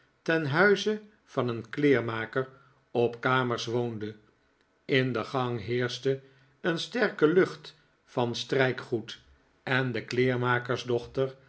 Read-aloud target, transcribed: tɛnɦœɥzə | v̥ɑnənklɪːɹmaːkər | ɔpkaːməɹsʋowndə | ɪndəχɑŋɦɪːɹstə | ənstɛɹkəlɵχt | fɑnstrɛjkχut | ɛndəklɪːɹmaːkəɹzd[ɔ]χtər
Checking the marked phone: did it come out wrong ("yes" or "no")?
no